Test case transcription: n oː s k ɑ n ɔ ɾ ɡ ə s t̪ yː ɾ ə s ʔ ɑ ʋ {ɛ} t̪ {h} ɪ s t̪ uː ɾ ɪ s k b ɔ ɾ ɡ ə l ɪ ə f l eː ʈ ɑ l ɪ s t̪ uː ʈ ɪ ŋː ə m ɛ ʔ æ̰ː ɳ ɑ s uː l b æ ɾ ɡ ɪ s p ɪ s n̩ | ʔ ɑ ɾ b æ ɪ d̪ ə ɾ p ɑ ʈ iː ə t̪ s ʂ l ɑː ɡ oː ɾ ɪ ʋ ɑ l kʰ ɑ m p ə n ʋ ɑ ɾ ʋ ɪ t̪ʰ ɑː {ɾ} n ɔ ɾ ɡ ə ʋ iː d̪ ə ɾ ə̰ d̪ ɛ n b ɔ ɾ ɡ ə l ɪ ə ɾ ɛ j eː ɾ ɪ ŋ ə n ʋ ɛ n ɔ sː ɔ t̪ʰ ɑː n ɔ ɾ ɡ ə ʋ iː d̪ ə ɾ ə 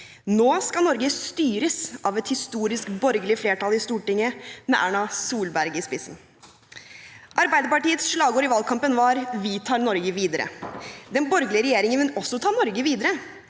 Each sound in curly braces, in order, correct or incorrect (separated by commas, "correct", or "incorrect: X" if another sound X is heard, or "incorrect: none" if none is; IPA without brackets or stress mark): correct, correct, correct